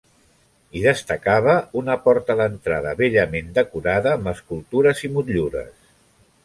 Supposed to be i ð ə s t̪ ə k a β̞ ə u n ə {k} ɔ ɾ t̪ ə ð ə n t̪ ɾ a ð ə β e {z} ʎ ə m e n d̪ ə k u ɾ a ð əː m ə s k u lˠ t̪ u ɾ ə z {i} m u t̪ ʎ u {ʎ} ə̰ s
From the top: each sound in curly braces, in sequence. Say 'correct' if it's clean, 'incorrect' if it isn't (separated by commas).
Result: incorrect, incorrect, correct, incorrect